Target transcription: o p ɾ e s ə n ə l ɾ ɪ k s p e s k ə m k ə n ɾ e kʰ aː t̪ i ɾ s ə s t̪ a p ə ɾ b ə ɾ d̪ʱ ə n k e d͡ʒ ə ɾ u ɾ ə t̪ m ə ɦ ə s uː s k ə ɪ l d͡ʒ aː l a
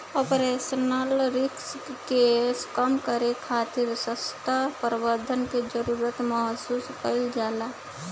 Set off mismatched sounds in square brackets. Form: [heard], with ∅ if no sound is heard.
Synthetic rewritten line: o p ɾ e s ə n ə l ɾ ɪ k s [k] e s k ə m k ə [∅] ɾ e kʰ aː t̪ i ɾ s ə s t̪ a p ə ɾ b ə ɾ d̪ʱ ə n k e d͡ʒ ə ɾ u ɾ ə t̪ m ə ɦ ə s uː s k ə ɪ l d͡ʒ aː l a